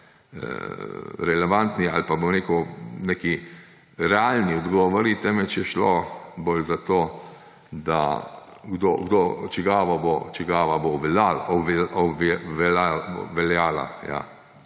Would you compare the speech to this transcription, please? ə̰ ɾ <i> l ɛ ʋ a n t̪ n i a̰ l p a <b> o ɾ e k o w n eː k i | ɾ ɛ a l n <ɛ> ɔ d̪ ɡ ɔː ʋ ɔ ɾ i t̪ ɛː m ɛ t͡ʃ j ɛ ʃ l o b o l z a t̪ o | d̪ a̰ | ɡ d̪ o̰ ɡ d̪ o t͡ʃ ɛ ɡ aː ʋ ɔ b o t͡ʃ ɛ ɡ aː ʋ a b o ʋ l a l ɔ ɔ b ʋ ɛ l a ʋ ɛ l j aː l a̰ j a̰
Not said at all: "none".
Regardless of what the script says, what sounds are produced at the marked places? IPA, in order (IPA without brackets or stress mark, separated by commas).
ɛ, b, i